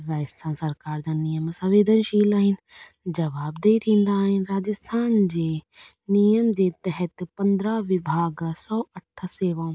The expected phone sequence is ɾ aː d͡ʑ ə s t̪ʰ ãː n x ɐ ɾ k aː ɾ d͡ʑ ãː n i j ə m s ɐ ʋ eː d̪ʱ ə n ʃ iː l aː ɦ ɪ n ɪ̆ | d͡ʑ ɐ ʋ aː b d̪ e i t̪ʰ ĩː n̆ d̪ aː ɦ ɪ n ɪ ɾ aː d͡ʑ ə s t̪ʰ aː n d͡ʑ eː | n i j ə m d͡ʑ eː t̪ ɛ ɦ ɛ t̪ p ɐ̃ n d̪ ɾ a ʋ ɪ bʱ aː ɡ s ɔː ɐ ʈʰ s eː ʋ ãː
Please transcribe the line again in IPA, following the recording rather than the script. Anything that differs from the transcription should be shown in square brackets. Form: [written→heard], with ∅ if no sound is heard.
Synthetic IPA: ɾ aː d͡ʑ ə s t̪ʰ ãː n [x→s] ɐ ɾ k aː ɾ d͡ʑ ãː n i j ə m s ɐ ʋ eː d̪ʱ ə n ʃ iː l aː ɦ ɪ n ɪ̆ | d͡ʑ ɐ ʋ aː b d̪ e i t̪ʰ ĩː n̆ d̪ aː ɦ ɪ n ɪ ɾ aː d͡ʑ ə s t̪ʰ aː n d͡ʑ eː | n i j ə m d͡ʑ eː t̪ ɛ ɦ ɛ t̪ p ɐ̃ n d̪ ɾ a ʋ ɪ bʱ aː ɡ s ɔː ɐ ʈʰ s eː ʋ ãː